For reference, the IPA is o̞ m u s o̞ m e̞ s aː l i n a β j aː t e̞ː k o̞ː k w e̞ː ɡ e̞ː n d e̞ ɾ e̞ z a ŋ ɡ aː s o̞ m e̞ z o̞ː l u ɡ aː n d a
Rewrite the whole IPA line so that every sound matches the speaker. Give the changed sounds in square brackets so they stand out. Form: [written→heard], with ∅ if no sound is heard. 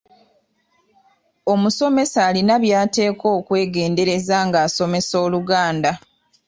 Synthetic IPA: o̞ m u s o̞ m e̞ s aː l i n a β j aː t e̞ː k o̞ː k w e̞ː ɡ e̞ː n d e̞ ɾ e̞ z a ŋ ɡ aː s o̞ m e̞ [z→s] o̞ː l u ɡ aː n d a